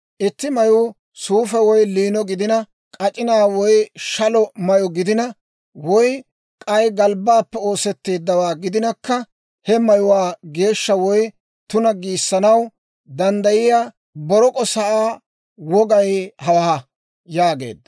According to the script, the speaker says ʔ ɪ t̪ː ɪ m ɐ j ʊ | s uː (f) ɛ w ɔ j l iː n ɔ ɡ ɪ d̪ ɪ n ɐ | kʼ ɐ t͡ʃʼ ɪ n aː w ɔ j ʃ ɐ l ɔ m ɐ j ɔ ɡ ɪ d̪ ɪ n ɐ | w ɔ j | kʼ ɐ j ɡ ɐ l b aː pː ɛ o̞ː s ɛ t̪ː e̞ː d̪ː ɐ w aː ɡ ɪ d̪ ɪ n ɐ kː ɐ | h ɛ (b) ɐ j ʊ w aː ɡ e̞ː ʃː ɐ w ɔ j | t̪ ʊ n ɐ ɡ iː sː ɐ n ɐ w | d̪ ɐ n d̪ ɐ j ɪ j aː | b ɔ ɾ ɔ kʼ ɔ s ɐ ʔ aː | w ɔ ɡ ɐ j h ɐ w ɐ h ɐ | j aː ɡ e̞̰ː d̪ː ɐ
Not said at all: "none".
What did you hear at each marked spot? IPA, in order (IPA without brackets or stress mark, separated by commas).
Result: f, m